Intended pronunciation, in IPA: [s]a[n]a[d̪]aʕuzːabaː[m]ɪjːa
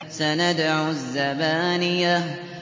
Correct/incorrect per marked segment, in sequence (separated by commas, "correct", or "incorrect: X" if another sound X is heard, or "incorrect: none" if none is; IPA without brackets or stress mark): correct, correct, correct, incorrect: n